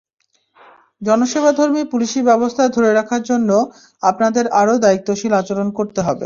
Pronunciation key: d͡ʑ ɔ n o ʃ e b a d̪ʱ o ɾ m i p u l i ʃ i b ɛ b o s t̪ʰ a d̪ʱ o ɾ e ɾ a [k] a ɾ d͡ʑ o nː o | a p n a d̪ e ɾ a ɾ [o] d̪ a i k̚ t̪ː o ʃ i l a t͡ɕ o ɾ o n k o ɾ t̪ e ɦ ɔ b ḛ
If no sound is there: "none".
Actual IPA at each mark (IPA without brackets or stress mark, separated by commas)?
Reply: kʰ, o